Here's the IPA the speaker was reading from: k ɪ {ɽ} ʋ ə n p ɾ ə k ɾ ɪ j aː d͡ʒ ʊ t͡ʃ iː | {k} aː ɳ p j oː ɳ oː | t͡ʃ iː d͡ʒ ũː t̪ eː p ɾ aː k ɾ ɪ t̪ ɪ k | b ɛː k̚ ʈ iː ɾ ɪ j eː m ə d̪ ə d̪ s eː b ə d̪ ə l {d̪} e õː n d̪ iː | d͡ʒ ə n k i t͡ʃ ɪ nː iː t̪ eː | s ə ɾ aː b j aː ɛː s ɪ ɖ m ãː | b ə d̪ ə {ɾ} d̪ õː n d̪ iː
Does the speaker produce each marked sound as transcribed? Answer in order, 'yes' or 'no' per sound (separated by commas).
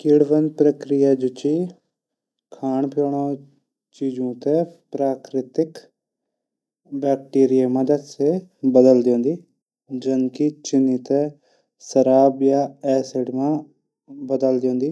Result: yes, no, yes, no